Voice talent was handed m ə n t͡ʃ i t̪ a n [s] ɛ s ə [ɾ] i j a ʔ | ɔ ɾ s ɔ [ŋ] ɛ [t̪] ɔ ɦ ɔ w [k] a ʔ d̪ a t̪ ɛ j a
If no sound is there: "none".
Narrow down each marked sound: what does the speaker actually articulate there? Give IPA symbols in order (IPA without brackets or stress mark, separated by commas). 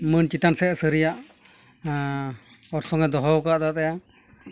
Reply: s, ɾ, ŋ, d̪, k